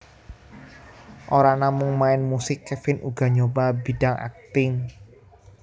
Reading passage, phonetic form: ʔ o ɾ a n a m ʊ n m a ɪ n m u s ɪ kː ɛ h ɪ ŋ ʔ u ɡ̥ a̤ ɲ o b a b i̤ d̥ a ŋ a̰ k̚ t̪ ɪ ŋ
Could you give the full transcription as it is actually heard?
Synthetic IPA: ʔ o ɾ a n a m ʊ ŋ m a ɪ n m u s ɪ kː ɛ f ɪ n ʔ u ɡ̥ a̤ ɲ o b a b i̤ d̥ a ŋ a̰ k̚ t̪ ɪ ŋ